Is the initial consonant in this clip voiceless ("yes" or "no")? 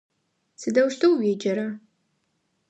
yes